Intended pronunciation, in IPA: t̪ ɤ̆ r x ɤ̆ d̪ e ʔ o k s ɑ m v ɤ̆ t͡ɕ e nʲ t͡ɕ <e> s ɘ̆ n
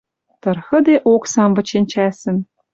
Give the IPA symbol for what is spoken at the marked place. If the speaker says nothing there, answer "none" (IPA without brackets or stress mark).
æ